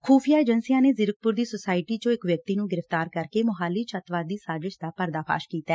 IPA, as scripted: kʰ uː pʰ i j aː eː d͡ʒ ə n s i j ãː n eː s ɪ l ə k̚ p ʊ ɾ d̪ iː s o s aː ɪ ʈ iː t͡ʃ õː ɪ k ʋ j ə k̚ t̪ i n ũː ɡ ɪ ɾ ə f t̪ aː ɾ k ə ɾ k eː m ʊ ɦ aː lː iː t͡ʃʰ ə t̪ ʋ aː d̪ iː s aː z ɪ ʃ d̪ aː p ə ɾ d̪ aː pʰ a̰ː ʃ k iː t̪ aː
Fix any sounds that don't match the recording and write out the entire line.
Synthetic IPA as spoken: kʰ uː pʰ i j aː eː d͡ʒ ə n s i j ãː n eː z ɪ ɾ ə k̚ p ʊ ɾ d̪ iː s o s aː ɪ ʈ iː t͡ʃ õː ɪ k ʋ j ə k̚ t̪ iː n ũː ɡ ɪ ɾ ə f t̪ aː ɾ k ə ɾ k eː m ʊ ɦ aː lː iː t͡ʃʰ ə t̪ ʋ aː d̪ iː s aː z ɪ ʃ d̪ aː p ə ɾ d̪ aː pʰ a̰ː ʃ k iː t̪ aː